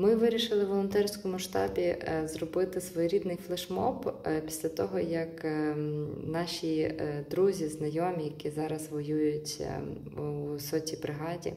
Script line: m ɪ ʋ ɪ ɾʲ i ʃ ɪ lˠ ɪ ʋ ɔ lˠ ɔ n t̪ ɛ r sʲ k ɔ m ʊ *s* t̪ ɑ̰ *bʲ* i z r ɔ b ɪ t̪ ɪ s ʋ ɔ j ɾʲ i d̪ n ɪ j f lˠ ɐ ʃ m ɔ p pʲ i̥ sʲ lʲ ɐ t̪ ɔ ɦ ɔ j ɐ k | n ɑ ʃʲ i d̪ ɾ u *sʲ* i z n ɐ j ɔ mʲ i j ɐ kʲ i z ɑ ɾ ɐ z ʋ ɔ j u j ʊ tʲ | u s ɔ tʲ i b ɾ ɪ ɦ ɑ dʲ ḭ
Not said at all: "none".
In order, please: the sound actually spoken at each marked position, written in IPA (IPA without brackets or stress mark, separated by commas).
ʃ, bʲ, zʲ